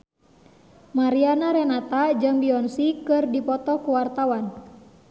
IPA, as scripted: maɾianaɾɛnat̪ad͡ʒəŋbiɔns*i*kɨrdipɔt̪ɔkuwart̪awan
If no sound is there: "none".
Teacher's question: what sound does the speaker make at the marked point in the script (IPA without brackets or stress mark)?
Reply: i